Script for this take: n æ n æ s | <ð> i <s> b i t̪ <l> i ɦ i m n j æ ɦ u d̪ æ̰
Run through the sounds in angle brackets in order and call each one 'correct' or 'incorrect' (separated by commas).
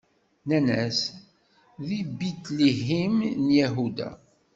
correct, incorrect, correct